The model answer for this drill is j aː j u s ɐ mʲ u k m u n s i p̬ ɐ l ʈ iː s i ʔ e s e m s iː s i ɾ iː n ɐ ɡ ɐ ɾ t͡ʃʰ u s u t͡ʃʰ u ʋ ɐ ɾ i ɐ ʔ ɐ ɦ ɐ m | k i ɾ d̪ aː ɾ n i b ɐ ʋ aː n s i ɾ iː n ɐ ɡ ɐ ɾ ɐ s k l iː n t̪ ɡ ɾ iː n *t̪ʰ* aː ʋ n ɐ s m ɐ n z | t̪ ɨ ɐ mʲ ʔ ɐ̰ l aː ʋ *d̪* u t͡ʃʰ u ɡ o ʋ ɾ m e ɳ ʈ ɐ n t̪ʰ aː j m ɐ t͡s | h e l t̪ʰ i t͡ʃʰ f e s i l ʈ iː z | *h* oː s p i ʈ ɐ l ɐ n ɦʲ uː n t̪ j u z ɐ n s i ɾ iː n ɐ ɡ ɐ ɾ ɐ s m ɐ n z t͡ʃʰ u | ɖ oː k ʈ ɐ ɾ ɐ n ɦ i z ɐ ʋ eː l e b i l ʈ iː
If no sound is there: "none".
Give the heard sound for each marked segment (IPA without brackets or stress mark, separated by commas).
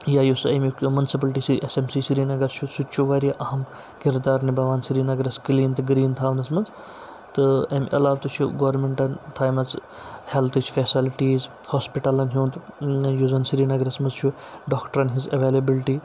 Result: t̪ʰ, t̪, h